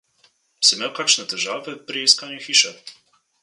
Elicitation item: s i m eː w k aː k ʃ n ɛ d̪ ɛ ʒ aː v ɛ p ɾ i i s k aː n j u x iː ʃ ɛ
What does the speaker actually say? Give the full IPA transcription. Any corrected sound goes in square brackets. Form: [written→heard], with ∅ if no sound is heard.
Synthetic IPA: s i m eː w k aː k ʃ n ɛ [d̪→t̪] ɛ ʒ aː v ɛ p ɾ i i s k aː n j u x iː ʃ ɛ

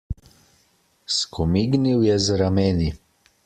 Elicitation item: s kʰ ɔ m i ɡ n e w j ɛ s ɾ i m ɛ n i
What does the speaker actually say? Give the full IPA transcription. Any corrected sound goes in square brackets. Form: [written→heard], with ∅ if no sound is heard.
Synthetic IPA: s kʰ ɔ m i ɡ n [e→i] w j ɛ [s→z] ɾ [i→a] m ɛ n i

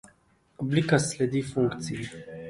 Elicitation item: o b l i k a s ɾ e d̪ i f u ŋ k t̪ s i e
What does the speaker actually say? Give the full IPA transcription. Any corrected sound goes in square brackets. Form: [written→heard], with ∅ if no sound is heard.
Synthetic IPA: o b l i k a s [ɾ→l] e d̪ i f u ŋ k t̪ s i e

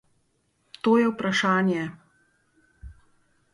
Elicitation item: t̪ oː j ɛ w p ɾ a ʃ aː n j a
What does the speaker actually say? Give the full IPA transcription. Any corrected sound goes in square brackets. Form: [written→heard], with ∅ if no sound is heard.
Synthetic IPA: t̪ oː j ɛ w p ɾ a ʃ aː n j [a→ɛ]

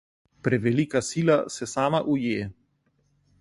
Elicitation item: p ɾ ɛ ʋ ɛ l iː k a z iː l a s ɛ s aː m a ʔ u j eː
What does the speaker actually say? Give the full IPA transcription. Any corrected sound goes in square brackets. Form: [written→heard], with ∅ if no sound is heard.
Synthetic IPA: p ɾ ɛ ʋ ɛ l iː k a [z→s] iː l a s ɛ s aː m a ʔ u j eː

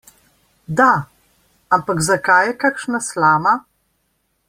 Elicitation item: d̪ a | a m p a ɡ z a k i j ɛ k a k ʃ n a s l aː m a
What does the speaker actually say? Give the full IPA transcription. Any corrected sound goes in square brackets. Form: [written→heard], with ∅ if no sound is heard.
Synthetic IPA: d̪ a | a m p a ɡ z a k [i→a] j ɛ k a k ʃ n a s l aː m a

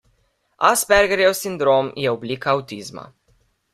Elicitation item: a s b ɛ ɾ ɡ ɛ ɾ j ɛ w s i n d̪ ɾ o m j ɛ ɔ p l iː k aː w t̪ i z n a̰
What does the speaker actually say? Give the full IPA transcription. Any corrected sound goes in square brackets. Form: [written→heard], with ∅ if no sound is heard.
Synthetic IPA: a s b ɛ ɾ ɡ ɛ ɾ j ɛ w s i n d̪ ɾ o m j ɛ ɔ [p→b] l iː k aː w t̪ i z [n→m] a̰

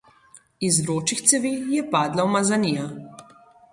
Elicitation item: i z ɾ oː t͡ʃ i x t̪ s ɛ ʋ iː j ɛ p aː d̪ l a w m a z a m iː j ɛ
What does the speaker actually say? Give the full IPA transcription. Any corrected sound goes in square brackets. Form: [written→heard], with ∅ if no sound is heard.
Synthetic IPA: i z ɾ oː t͡ʃ i x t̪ s ɛ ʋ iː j ɛ p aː d̪ l a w m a z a [m→n] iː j [ɛ→a]

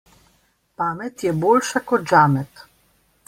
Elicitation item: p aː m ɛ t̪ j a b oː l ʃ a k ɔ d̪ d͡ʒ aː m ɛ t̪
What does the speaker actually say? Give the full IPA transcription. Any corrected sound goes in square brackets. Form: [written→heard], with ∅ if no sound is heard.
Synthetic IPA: p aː m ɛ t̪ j [a→ɛ] b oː l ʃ a k ɔ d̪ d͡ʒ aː m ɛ t̪

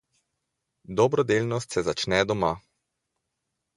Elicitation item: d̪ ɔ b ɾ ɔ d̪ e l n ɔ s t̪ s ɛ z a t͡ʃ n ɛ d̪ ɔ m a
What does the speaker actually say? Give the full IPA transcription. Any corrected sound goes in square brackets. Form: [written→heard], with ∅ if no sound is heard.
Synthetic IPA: d̪ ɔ b ɾ ɔ d̪ e l n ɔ s t̪ s ɛ z a t͡ʃ n ɛ d̪ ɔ m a

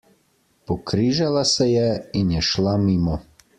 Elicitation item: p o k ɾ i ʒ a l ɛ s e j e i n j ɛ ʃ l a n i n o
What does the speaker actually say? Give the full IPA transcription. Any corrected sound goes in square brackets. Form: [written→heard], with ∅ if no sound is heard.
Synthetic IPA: p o k ɾ i ʒ a l [ɛ→a] s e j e i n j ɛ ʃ l a [n→m] i [n→m] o

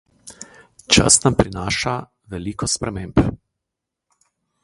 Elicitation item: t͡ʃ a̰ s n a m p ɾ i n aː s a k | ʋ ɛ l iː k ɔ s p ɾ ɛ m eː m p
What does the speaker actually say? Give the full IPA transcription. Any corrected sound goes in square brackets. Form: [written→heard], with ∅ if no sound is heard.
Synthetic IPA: t͡ʃ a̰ s n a m p ɾ i n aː [s→ʃ] a [k→∅] | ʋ ɛ l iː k ɔ s p ɾ ɛ m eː m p

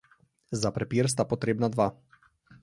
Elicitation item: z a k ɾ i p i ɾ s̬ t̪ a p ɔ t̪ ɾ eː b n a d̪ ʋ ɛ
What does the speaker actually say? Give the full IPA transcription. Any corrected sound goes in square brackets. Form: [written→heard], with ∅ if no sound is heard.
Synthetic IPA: z a [k→p] ɾ [i→ɛ] p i ɾ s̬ t̪ a p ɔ t̪ ɾ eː b n a d̪ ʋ [ɛ→a]

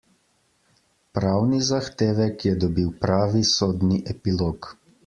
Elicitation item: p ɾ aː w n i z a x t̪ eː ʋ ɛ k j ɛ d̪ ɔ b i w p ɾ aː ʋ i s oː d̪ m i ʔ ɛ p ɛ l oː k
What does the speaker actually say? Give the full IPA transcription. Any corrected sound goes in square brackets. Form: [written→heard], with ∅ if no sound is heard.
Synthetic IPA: p ɾ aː w n i z a x t̪ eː ʋ ɛ k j ɛ d̪ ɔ b i w p ɾ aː ʋ i s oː d̪ [m→n] i ʔ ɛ p [ɛ→i] l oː k

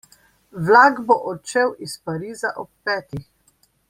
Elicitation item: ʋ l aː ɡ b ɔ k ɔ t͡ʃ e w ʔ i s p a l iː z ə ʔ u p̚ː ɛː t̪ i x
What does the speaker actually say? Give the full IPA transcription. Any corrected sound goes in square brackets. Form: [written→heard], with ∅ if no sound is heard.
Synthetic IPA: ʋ l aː ɡ b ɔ [k→ʔ] ɔ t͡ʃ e w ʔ i s p a [l→ɾ] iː z [ə→a] ʔ [u→ɔ] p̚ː ɛː t̪ i x

